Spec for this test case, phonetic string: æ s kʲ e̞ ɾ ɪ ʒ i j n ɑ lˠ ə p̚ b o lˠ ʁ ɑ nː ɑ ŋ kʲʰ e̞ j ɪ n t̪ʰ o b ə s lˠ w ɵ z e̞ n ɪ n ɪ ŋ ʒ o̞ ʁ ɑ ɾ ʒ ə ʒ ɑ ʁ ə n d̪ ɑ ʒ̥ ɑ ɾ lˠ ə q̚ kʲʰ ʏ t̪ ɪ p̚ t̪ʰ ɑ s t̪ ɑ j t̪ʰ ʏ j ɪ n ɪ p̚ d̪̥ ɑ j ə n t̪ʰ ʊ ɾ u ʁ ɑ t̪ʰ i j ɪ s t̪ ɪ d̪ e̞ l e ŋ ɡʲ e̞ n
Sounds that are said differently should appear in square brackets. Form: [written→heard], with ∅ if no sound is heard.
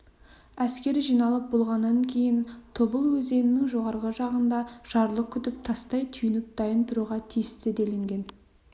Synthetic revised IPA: æ s kʲ e̞ ɾ ɪ ʒ i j n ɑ lˠ ə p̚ b o lˠ ʁ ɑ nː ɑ ŋ kʲʰ e̞ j ɪ n t̪ʰ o b ə [s→∅] lˠ w ɵ z e̞ n ɪ n ɪ ŋ ʒ o̞ ʁ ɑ ɾ [ʒ→ʁ] ə ʒ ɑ ʁ ə n d̪ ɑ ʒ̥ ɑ ɾ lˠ ə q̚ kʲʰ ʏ t̪ ɪ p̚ t̪ʰ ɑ s t̪ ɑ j t̪ʰ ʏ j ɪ n ɪ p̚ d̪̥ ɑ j ə n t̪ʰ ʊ ɾ u ʁ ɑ t̪ʰ i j ɪ s t̪ ɪ d̪ e̞ l e ŋ ɡʲ e̞ n